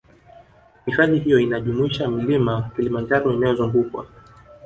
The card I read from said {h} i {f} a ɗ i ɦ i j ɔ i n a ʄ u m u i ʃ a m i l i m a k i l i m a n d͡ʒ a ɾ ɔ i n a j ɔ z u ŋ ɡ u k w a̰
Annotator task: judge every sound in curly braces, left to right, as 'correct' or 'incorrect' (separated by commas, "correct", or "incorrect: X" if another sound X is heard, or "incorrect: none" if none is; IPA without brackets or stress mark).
correct, correct